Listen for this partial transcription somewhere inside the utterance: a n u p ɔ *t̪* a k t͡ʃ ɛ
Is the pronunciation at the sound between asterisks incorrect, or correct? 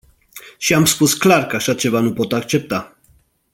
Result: correct